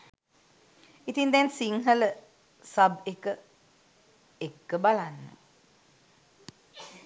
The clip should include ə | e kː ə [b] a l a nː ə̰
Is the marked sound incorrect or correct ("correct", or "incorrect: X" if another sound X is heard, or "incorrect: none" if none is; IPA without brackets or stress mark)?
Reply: correct